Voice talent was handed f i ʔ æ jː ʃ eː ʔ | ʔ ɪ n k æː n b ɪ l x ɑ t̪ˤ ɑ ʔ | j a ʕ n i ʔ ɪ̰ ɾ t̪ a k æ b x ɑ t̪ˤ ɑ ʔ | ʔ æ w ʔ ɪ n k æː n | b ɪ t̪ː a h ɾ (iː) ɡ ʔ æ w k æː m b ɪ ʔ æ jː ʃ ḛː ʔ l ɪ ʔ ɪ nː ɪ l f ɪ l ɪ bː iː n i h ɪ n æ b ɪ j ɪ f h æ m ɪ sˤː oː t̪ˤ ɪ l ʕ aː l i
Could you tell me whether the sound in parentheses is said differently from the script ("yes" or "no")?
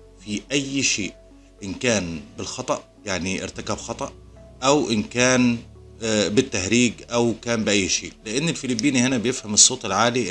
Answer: no